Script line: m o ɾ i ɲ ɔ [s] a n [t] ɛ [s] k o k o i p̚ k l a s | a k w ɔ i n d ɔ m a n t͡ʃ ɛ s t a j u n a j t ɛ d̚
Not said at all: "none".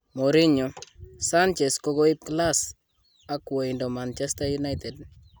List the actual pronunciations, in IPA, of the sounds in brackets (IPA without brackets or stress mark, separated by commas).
s, t͡ʃ, s